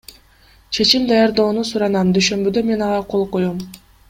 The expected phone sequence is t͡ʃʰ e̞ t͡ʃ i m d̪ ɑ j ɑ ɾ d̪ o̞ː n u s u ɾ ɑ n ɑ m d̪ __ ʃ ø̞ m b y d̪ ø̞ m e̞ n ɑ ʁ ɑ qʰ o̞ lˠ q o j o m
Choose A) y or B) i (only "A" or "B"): A